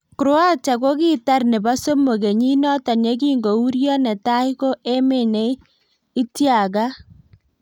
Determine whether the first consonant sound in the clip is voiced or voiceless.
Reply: voiceless